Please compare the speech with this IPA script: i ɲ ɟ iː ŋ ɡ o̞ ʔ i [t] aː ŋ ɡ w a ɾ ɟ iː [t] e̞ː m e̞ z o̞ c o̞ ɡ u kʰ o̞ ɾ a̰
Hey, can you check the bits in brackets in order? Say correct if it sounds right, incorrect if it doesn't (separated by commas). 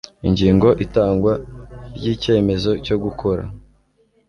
correct, incorrect